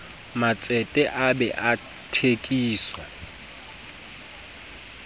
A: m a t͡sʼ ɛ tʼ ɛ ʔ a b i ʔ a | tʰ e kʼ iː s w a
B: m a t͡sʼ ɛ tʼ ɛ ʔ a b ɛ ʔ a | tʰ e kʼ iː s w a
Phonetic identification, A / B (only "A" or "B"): B